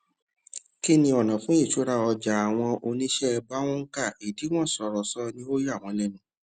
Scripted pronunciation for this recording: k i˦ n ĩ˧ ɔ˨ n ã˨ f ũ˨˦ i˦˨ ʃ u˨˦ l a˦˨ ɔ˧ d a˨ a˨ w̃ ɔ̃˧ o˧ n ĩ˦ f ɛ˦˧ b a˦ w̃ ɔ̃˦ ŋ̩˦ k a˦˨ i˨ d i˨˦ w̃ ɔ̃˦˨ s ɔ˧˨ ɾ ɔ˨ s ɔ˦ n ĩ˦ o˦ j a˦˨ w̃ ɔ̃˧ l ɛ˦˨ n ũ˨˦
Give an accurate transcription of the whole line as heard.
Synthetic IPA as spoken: k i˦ n ĩ˧ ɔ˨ n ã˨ f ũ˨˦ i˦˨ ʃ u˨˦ ɾ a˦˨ ɔ˧ d͡ʒ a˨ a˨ w̃ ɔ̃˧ o˧ n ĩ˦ ʃ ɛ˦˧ b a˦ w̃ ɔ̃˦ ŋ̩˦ k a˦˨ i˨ d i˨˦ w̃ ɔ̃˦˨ s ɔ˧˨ ɾ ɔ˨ s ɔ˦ n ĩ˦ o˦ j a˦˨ w̃ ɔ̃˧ l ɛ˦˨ n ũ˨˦